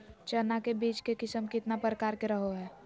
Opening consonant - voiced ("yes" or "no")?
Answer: no